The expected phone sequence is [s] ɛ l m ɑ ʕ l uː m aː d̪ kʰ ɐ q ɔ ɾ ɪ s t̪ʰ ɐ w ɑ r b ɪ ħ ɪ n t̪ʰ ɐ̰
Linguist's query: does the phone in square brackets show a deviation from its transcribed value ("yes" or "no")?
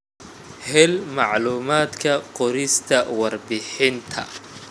yes